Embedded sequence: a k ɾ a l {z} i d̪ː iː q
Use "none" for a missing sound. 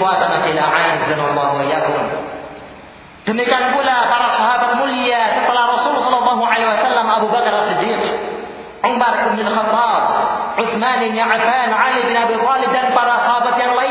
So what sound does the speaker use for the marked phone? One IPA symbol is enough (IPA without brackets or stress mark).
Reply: s